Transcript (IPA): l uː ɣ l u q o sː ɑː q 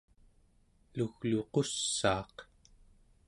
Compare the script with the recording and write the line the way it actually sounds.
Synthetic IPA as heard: l u ɣ l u q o sː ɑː q